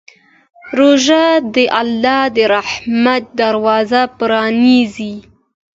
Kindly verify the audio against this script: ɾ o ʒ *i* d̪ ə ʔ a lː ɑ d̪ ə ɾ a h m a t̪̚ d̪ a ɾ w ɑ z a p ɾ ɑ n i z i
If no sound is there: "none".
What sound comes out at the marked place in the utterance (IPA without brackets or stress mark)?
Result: a